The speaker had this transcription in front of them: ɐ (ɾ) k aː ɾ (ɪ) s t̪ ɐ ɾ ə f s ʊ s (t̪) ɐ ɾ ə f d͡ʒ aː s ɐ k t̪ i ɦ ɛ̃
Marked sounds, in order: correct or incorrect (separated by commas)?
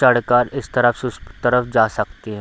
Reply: incorrect, correct, correct